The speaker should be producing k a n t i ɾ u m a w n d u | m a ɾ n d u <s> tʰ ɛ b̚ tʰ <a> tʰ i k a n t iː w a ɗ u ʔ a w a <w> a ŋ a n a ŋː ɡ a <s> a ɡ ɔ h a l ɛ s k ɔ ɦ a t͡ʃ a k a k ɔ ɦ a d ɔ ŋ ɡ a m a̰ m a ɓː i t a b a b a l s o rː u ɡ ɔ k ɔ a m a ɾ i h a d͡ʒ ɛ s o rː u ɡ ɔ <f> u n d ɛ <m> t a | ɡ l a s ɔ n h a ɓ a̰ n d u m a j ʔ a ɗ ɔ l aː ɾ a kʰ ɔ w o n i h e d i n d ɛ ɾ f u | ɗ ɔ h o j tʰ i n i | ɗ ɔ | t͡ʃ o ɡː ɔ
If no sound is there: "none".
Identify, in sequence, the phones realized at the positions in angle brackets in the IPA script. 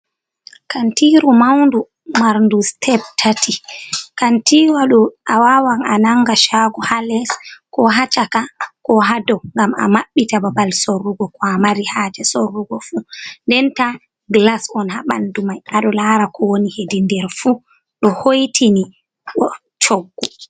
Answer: s, a, w, ʃ, f, n

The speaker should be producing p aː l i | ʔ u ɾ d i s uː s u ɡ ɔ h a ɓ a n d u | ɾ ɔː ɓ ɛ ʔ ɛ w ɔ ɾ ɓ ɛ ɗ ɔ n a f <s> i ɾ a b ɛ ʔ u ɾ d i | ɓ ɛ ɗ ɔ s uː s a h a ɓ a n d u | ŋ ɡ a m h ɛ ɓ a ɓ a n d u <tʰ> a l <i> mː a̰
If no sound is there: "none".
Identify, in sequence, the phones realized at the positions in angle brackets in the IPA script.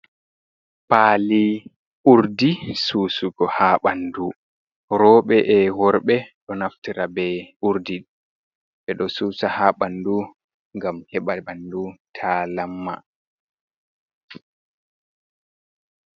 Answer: t, tʰ, a

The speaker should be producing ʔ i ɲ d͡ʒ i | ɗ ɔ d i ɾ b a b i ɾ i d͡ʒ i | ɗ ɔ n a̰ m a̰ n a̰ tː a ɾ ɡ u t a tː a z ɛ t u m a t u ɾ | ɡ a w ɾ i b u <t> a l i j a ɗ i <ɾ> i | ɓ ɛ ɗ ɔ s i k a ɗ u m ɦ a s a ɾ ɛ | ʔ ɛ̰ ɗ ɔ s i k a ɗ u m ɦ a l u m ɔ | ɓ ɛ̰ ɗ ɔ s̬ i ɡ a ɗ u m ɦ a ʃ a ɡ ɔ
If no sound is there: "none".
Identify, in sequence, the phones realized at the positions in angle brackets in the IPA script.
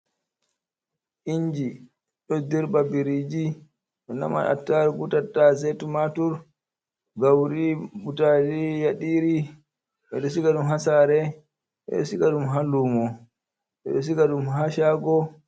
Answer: t, ɾ

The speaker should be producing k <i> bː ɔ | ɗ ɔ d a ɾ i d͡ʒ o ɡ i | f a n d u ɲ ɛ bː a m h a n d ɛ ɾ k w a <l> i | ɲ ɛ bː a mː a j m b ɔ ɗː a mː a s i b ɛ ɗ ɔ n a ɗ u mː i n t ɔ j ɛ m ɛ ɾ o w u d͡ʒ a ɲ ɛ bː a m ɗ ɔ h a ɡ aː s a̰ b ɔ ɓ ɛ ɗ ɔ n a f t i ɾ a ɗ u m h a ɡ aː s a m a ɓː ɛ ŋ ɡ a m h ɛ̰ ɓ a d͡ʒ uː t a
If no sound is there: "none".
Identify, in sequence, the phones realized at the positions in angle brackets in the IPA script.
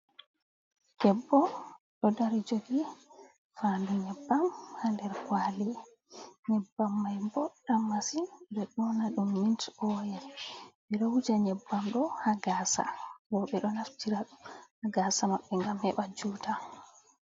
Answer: ɛ, l

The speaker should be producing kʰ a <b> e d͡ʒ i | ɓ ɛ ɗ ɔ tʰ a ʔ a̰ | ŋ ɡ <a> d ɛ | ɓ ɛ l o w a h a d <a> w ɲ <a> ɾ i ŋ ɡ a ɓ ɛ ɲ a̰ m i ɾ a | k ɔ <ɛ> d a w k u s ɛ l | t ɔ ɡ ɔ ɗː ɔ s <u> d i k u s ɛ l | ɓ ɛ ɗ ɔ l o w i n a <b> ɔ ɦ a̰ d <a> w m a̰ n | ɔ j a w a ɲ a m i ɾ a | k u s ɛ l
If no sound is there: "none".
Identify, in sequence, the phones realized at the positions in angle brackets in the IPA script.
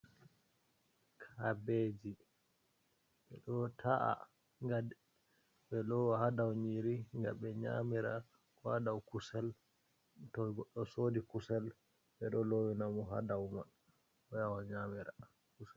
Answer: b, a, a, i, a, o, m, a

